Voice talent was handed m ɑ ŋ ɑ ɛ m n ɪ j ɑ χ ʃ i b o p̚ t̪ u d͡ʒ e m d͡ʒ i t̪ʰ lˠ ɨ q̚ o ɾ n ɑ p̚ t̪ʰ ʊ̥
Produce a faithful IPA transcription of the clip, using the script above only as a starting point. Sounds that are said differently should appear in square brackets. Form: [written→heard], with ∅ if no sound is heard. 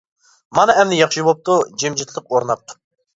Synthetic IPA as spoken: m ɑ [ŋ→n] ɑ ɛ m n ɪ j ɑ χ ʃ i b o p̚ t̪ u d͡ʒ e m d͡ʒ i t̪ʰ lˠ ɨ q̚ o ɾ n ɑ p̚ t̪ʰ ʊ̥